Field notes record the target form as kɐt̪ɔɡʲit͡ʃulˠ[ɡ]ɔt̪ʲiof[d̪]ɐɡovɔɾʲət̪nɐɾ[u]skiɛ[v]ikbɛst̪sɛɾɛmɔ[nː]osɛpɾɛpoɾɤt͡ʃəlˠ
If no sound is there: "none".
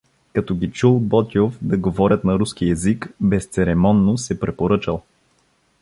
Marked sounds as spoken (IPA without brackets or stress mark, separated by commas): b, d̪, u, z, nː